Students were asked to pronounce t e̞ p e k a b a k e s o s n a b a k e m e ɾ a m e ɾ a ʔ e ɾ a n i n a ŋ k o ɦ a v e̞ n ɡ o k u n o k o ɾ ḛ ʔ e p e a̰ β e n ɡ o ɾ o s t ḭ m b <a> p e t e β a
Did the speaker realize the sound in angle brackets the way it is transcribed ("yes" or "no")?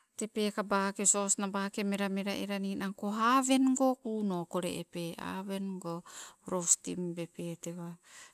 no